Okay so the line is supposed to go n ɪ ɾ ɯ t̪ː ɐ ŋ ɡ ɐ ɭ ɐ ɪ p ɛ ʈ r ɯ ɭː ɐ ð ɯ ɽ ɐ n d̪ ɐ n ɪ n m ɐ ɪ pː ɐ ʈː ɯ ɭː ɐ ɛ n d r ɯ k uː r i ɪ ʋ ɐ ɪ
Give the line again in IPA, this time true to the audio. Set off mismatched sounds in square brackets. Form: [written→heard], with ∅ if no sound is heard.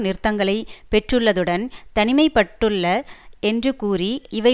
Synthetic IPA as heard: n ɪ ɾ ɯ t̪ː ɐ ŋ ɡ ɐ ɭ ɐ ɪ p ɛ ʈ r ɯ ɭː ɐ ð ɯ ɽ ɐ n [d̪→t̪] ɐ n ɪ [n→∅] m ɐ ɪ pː ɐ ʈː ɯ ɭː ɐ ɛ n d r ɯ k uː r i ɪ ʋ ɐ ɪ